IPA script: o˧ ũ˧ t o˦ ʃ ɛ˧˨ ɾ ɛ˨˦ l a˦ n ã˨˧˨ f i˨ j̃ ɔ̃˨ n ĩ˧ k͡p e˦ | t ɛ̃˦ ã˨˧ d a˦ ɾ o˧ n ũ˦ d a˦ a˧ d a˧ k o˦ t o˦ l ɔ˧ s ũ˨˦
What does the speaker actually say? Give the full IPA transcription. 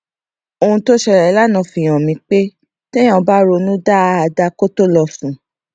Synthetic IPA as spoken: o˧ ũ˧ t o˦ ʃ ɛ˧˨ ɾ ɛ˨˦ l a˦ n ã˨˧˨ f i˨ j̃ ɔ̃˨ m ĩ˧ k͡p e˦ | t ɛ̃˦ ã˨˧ b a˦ ɾ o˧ n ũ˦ d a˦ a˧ d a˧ k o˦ t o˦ l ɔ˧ f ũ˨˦